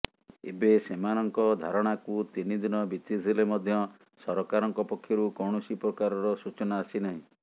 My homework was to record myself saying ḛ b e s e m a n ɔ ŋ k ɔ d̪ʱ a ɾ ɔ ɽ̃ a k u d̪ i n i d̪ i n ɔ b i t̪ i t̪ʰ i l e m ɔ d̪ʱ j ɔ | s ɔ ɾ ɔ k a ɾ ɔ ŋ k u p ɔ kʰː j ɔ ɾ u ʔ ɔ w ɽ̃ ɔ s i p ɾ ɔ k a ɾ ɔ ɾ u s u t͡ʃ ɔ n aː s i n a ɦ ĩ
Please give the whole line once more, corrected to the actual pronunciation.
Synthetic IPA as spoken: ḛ b e s e m a n ɔ ŋ k ɔ d̪ʱ a ɾ ɔ ɽ̃ a k u t̪ i n i d̪ i n ɔ b i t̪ i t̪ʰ i l e m ɔ d̪ʱ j ɔ | s ɔ ɾ ɔ k a ɾ ɔ ŋ k ɔ p ɔ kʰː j ɔ ɾ u k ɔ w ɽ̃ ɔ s i p ɾ ɔ k a ɾ ɔ ɾ ɔ s u t͡ʃ ɔ n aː s i n a ɦ ĩ